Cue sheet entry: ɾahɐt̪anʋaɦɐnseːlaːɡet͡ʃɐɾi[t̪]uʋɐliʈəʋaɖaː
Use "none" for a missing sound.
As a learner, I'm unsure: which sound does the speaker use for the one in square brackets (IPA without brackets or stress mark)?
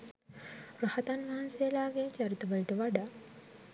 t̪